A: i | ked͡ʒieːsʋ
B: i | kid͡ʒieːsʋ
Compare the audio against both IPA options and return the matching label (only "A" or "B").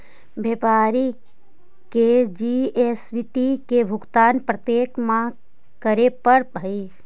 A